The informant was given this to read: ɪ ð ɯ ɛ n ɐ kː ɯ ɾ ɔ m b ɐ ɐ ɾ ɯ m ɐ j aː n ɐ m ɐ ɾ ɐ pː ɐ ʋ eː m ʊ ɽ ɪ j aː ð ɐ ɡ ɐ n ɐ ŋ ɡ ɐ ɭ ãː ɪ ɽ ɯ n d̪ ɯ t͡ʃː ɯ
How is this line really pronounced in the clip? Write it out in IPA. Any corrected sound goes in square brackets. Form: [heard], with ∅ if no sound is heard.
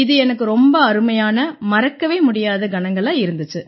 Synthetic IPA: ɪ ð ɯ ɛ n ɐ kː ɯ ɾ ɔ m b ɐ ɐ ɾ ɯ m ɐ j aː n ɐ m ɐ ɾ ɐ [kː] ɐ ʋ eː m ʊ ɽ ɪ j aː ð ɐ ɡ ɐ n ɐ ŋ ɡ ɐ ɭ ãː ɪ [ɾ] ɯ n d̪ ɯ t͡ʃː ɯ

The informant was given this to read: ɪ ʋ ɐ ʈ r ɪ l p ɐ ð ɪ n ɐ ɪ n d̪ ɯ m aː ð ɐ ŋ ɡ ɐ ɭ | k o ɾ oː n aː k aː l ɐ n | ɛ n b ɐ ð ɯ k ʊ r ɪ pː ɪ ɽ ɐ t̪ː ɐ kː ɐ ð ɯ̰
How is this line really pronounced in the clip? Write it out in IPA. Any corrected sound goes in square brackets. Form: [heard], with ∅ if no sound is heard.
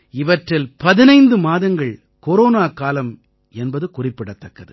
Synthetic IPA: ɪ ʋ ɐ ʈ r ɪ l p ɐ ð ɪ n ɐ ɪ n d̪ ɯ m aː ð ɐ ŋ ɡ ɐ ɭ | k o ɾ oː n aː k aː l ɐ [m] | ɛ n b ɐ ð ɯ k ʊ r ɪ pː ɪ ɽ ɐ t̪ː ɐ kː ɐ ð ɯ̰

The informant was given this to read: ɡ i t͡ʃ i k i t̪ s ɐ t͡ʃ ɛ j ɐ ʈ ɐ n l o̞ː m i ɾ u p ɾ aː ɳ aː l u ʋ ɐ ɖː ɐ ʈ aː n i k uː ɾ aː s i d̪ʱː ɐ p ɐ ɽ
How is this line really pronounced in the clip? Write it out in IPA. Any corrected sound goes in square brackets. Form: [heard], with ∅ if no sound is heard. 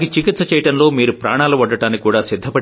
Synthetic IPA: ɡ i t͡ʃ i k i t̪ s ɐ t͡ʃ ɛ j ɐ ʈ ɐ n l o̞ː m [iː] ɾ u p ɾ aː ɳ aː l u ʋ ɐ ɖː ɐ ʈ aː n i k uː [ɽ] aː s i d̪ʱː ɐ p ɐ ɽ

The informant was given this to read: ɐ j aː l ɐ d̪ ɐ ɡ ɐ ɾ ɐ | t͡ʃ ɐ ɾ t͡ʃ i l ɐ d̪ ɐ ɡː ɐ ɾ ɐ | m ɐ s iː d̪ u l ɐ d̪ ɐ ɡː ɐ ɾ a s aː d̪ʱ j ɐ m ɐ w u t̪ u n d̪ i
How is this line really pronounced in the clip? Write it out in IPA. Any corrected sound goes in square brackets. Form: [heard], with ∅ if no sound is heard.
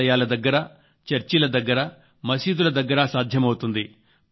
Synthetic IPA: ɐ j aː l ɐ d̪ ɐ [ɡː] ɐ ɾ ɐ | t͡ʃ ɐ ɾ t͡ʃ i l ɐ d̪ ɐ ɡː ɐ ɾ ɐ | m ɐ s iː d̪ u l ɐ d̪ ɐ ɡː ɐ ɾ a s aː d̪ʱ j ɐ m ɐ w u t̪ u n d̪ i

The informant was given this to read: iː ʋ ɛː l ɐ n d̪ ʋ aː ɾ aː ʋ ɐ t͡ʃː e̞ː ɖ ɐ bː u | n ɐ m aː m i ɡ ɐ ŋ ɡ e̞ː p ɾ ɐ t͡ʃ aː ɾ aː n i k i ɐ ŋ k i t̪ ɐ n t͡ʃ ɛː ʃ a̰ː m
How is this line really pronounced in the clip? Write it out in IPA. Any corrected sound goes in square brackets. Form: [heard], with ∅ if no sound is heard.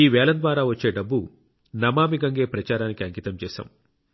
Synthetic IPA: iː ʋ ɛː l ɐ n d̪ ʋ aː ɾ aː ʋ ɐ t͡ʃː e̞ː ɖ ɐ bː u | n ɐ m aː m i ɡ ɐ ŋ ɡ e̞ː p ɾ ɐ t͡ʃ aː ɾ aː n i k i ɐ ŋ k i t̪ ɐ [m] t͡ʃ ɛː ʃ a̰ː m

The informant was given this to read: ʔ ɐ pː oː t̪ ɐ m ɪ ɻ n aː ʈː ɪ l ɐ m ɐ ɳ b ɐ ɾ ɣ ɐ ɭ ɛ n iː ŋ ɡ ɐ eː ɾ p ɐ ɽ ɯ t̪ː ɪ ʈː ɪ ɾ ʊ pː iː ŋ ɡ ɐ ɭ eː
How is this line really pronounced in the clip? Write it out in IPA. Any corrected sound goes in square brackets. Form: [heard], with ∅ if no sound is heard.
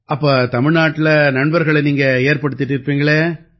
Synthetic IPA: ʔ ɐ pː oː t̪ ɐ m ɪ ɻ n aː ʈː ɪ l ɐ [n] ɐ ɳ b ɐ ɾ ɣ ɐ ɭ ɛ n iː ŋ ɡ ɐ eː ɾ p ɐ ɽ ɯ t̪ː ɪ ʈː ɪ ɾ [ɯ] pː iː ŋ ɡ ɐ ɭ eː

